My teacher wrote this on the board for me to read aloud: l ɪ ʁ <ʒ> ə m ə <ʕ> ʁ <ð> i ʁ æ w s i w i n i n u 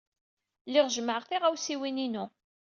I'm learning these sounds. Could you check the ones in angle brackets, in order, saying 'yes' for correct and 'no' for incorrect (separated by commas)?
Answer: yes, yes, no